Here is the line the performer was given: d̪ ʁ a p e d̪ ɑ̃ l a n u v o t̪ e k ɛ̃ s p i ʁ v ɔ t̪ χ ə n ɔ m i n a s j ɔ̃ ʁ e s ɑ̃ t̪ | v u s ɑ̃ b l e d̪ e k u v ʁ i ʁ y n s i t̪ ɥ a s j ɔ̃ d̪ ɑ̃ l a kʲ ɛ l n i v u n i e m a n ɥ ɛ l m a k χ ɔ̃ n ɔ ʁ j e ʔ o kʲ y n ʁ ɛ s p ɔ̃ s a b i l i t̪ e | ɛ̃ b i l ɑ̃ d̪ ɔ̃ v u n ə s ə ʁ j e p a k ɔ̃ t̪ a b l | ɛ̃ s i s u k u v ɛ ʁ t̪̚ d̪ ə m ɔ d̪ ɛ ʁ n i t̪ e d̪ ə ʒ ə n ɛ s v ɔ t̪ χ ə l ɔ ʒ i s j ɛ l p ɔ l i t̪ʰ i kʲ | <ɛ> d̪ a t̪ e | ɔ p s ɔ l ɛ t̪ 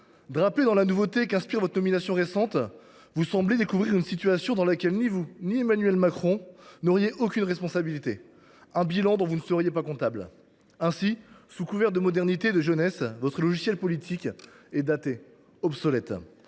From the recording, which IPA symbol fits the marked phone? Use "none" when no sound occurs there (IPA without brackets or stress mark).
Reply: ɛ